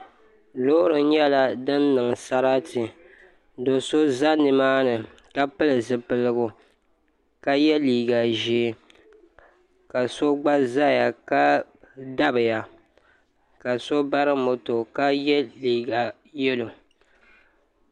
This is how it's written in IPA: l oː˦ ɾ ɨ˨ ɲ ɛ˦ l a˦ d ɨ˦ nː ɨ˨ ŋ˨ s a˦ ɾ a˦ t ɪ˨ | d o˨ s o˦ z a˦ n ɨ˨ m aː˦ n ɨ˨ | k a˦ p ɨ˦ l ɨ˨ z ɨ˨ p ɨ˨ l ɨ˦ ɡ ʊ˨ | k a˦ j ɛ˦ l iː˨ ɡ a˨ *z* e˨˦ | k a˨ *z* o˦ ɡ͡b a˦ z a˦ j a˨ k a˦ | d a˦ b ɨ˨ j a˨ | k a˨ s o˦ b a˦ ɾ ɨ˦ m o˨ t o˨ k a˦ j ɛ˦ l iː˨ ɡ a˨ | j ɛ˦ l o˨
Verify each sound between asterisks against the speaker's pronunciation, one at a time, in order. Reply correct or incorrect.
incorrect, incorrect

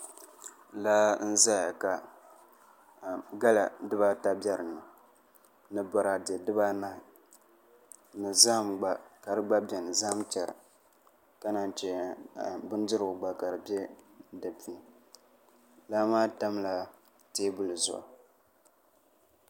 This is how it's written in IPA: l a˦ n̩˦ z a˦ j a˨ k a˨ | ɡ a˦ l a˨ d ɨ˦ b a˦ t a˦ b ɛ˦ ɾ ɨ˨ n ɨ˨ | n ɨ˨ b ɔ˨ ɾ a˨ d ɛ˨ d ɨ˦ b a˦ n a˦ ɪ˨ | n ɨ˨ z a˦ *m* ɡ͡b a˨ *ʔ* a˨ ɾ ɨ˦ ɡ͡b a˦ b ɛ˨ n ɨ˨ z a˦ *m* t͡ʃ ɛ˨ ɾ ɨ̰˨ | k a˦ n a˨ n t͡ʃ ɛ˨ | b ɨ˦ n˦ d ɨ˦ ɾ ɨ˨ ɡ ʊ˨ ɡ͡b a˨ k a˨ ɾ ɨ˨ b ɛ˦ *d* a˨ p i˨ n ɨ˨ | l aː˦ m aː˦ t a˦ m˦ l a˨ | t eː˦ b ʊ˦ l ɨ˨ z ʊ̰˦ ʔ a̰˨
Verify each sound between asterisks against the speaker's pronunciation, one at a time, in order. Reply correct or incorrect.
correct, incorrect, correct, correct

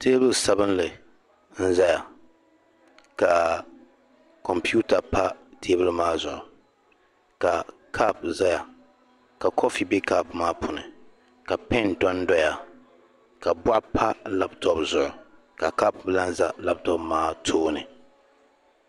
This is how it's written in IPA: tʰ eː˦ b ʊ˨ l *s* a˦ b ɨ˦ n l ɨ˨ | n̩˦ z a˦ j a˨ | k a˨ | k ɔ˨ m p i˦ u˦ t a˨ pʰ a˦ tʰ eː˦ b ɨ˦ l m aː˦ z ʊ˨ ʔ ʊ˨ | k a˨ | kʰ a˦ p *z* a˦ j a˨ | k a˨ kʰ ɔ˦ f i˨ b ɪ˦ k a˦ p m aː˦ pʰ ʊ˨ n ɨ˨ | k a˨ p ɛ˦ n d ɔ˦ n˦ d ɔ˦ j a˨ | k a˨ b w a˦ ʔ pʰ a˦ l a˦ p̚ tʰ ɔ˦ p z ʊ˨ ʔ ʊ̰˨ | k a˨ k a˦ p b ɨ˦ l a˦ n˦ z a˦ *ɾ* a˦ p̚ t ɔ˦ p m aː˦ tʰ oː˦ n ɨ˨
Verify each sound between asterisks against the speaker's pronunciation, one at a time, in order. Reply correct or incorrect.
correct, correct, incorrect

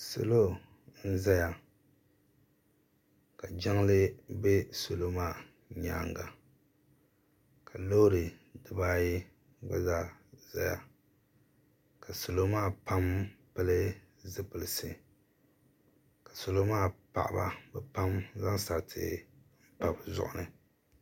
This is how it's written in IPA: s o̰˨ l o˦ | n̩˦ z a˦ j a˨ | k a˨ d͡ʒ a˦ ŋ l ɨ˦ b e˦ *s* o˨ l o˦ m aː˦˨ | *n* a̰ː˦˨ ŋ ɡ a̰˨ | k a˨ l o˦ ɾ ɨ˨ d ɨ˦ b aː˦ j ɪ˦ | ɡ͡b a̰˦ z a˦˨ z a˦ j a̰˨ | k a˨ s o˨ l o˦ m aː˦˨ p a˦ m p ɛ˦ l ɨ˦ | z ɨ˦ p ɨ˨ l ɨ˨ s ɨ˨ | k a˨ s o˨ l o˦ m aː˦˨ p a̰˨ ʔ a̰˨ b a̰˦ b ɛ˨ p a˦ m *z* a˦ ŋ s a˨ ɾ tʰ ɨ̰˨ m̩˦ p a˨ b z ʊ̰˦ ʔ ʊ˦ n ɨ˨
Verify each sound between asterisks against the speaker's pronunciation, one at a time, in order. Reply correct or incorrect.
correct, incorrect, correct

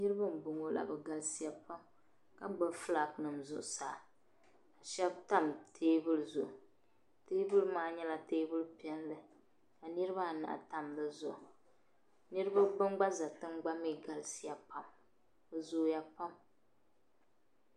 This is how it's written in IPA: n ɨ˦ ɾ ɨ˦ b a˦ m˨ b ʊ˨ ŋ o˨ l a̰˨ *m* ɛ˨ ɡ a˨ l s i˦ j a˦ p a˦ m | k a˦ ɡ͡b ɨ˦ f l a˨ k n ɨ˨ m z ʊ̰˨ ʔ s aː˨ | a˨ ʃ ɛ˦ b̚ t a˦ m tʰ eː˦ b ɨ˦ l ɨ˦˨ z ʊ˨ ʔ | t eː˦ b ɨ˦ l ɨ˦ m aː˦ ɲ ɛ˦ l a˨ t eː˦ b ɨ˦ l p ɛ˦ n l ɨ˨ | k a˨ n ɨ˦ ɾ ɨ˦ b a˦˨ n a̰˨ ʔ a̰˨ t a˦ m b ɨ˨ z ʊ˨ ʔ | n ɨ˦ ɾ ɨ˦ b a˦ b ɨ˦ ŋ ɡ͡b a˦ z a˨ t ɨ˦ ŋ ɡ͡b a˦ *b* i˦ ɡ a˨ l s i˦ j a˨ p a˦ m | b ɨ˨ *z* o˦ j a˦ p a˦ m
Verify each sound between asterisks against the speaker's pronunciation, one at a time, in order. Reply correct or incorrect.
incorrect, incorrect, correct

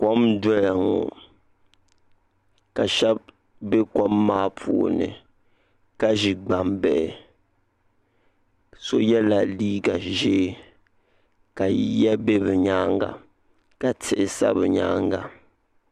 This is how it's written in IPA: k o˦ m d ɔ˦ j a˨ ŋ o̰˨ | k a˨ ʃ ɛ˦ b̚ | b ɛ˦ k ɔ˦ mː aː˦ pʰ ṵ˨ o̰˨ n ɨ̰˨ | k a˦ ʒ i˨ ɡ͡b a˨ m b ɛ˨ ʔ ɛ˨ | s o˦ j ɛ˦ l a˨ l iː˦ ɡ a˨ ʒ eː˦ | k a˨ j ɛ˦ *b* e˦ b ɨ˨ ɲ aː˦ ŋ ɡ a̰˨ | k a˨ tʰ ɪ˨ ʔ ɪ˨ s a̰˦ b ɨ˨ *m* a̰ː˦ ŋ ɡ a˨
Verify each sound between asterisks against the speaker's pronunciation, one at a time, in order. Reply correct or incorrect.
correct, incorrect

